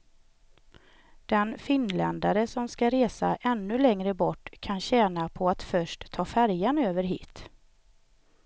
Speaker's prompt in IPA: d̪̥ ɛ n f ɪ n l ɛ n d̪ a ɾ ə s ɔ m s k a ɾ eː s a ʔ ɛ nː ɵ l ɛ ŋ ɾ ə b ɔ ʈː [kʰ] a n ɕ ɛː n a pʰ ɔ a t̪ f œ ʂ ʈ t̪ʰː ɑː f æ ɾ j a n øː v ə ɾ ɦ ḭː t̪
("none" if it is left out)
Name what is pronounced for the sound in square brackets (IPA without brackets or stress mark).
kʰ